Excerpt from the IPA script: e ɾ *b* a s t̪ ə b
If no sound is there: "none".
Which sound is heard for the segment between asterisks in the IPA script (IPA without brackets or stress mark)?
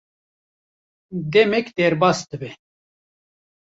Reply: b